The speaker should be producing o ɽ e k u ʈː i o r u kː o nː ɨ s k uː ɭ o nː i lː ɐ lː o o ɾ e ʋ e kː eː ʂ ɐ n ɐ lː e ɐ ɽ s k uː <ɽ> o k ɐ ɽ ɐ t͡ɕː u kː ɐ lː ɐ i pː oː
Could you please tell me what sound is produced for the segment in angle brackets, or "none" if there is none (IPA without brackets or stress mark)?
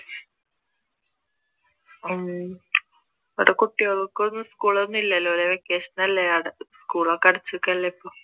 ɭ